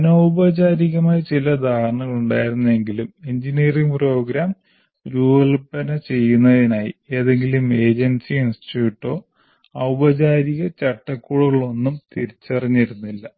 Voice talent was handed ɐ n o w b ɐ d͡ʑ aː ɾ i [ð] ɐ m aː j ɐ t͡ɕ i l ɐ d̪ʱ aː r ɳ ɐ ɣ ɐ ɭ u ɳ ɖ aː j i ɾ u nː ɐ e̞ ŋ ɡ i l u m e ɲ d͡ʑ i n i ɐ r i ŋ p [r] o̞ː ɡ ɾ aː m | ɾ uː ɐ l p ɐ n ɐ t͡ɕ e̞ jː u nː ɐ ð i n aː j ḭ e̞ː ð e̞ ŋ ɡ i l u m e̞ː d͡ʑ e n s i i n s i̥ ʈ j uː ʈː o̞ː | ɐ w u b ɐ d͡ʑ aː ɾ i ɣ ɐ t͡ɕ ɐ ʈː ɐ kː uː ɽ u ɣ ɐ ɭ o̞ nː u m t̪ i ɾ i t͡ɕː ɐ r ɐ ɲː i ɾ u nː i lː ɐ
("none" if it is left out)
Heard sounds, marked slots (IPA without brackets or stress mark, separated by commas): ɣ, r